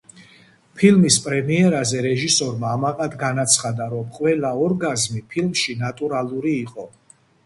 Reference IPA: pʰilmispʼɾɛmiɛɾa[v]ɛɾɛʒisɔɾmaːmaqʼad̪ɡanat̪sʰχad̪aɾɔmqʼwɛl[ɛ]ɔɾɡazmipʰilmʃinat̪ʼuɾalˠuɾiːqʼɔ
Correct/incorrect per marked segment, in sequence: incorrect, incorrect

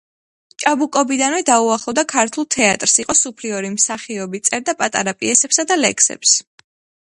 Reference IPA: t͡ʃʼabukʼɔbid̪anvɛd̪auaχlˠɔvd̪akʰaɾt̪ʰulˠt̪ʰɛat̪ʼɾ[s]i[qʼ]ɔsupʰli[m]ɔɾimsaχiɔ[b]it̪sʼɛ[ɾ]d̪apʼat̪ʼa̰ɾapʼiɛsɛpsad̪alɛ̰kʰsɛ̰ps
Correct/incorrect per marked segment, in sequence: correct, correct, incorrect, correct, correct

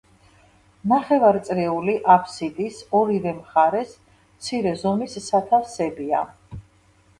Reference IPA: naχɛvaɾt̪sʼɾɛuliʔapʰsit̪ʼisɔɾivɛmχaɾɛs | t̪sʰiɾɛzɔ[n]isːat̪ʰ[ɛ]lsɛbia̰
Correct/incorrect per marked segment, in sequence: incorrect, incorrect

